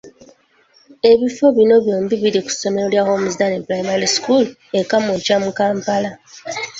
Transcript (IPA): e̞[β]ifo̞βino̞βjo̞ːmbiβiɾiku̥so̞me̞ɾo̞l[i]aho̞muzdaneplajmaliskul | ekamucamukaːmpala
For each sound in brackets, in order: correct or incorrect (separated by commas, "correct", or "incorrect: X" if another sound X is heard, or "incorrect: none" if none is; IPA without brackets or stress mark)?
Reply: correct, incorrect: j